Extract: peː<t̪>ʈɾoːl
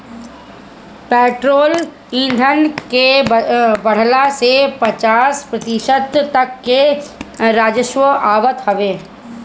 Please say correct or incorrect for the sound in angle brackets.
incorrect